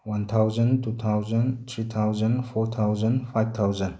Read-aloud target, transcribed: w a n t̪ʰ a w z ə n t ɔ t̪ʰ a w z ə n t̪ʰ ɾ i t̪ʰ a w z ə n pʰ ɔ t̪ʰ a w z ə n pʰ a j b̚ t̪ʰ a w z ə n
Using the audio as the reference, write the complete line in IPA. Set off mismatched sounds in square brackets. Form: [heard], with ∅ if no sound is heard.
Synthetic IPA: w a n t̪ʰ a w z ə n t [u] t̪ʰ a w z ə n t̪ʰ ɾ i t̪ʰ a w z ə n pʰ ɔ t̪ʰ a w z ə n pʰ a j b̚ t̪ʰ a w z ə n